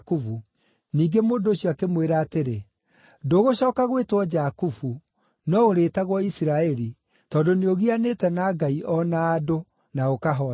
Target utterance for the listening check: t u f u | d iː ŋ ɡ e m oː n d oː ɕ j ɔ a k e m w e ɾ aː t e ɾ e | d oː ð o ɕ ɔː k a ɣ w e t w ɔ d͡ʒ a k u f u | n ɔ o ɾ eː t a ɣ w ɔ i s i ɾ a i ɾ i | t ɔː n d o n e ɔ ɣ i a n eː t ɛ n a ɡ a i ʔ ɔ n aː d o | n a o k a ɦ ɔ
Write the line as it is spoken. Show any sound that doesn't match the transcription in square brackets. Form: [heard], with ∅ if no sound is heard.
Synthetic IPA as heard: [k] u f u | [n] iː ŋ ɡ e m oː n d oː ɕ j ɔ a k e m w e ɾ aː t e ɾ e | d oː [ɣ] o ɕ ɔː k a ɣ w e t w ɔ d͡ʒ a k u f u | n ɔ o ɾ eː t a ɣ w ɔ i s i ɾ a [ɛ] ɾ i | t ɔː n d o n e [o] ɣ i a n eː t ɛ n a ɡ a i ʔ ɔ n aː d o | n a o k a ɦ ɔ